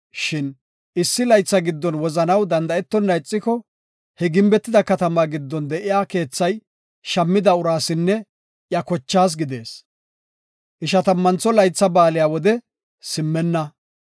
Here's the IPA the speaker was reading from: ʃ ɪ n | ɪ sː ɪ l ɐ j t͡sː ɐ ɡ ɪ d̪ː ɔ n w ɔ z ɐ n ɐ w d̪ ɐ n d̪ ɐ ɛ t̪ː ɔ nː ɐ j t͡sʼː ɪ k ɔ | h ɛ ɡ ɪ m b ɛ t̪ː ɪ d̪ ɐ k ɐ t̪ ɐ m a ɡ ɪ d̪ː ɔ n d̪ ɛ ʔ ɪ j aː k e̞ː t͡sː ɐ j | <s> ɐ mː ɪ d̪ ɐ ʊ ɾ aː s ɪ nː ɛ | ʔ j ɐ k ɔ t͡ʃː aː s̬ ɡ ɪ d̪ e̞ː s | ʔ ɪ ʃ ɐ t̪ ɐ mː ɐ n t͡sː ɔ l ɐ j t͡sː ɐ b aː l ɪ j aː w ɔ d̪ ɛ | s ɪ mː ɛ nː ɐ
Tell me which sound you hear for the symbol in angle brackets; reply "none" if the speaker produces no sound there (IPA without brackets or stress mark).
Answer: ʃ